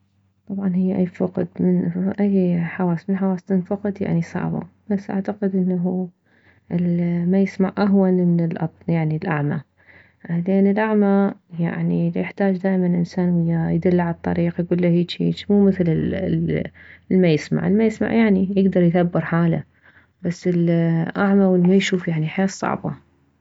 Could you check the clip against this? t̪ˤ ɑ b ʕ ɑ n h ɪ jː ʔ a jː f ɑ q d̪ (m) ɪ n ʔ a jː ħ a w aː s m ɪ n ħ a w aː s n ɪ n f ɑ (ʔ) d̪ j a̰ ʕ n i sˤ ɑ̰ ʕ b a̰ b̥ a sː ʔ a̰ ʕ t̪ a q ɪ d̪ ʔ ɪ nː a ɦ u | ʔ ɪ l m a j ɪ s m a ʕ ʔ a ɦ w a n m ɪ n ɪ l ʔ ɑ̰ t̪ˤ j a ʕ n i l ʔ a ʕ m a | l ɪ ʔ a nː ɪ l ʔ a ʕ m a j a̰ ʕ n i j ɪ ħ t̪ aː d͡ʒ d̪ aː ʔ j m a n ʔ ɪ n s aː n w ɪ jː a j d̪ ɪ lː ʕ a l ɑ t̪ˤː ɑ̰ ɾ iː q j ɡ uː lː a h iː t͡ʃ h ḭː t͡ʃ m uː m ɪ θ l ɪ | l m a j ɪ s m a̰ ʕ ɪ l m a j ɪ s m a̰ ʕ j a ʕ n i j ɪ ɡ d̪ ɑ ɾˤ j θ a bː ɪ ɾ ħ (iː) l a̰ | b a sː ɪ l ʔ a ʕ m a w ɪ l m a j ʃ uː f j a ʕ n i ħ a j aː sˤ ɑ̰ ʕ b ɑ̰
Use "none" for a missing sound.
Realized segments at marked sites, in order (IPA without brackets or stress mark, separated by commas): m, q, aː